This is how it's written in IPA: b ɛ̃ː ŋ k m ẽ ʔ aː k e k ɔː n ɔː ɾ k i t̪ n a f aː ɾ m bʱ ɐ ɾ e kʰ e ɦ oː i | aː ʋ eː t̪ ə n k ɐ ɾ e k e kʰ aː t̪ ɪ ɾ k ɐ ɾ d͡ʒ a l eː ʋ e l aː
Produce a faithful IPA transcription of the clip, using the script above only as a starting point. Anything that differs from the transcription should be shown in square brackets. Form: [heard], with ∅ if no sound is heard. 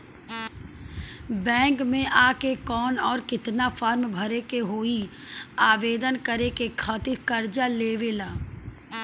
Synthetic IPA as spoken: b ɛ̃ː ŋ k m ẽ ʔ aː k e k ɔː n ɔː ɾ k [ɪ] t̪ n a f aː ɾ m bʱ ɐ ɾ e [k] e ɦ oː i | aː ʋ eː [d̪] ə n k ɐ ɾ e k e kʰ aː t̪ ɪ ɾ k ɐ ɾ d͡ʒ a l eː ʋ e l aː